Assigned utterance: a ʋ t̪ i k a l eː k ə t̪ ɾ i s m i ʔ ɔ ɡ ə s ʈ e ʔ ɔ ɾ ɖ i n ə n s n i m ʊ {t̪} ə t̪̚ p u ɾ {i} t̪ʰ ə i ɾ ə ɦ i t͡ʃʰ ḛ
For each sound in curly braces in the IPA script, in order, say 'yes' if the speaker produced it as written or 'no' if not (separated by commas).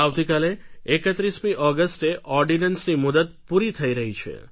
no, yes